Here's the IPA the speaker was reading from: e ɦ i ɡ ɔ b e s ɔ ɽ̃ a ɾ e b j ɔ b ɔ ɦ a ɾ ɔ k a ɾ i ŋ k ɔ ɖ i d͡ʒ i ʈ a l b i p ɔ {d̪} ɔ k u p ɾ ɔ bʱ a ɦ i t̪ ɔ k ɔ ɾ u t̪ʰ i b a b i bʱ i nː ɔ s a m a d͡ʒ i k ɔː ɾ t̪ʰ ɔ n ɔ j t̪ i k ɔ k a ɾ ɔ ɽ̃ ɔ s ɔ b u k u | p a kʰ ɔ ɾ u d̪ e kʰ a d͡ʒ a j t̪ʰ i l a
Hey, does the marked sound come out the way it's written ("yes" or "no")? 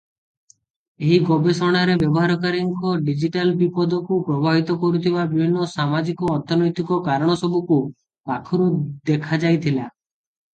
yes